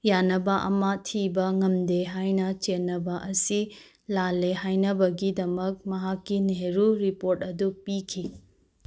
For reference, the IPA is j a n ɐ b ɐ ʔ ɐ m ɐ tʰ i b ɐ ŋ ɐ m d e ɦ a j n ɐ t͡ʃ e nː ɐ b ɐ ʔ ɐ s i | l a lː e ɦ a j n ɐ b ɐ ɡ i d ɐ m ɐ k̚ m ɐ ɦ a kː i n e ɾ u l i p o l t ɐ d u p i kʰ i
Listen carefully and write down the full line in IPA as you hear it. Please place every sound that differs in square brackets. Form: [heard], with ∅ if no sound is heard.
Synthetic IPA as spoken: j a n ɐ b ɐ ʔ ɐ m ɐ tʰ i b ɐ ŋ ɐ m d e ɦ a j n ɐ t͡ʃ e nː ɐ b ɐ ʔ ɐ s i | l a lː e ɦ a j n ɐ b ɐ ɡ i d ɐ m ɐ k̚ m ɐ ɦ a kː i n e ɾ u [ɾ] i p o [ɾ] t ɐ d u p i kʰ i